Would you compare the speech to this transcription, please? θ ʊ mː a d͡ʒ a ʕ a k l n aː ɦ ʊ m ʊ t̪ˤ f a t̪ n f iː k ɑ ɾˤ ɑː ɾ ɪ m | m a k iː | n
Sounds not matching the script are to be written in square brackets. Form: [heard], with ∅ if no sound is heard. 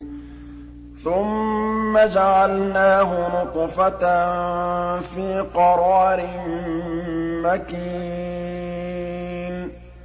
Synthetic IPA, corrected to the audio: θ ʊ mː a d͡ʒ a ʕ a [∅] l n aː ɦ ʊ [n] ʊ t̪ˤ f a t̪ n f iː [q] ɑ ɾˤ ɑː ɾ ɪ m | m a k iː | n